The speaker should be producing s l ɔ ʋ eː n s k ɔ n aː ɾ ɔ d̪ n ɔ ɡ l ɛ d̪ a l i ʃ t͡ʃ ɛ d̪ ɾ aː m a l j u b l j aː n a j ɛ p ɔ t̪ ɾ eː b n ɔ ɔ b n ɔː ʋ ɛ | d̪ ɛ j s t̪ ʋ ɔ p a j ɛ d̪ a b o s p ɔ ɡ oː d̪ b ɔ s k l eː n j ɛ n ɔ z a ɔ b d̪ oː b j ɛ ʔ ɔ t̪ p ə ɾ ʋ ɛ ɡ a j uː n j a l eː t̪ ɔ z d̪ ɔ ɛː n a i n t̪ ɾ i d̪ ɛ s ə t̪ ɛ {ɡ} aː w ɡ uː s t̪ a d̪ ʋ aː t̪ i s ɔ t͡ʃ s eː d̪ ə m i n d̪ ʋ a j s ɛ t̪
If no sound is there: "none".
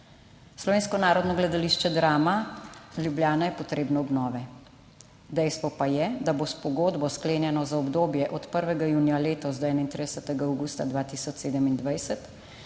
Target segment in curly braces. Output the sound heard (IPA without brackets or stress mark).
ɡ